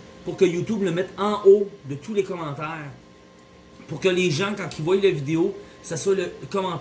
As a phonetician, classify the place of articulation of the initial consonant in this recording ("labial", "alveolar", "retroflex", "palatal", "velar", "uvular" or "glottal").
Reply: labial